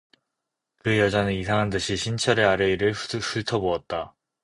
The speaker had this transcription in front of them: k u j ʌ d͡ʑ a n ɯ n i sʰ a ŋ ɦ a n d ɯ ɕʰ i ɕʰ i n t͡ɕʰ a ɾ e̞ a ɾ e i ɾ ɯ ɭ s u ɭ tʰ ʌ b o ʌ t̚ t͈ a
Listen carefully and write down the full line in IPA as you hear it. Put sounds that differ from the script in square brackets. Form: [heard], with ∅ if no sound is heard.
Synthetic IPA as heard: k [ɯ] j ʌ d͡ʑ a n ɯ n i sʰ a ŋ ɦ a n d ɯ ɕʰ i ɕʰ i n t͡ɕʰ [ʌ] ɾ e̞ a ɾ e i ɾ ɯ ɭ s u ɭ tʰ ʌ b o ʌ t̚ t͈ a